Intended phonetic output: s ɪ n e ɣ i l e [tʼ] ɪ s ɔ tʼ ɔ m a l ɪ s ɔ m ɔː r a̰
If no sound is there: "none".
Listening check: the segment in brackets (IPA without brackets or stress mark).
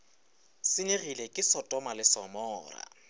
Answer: kʼ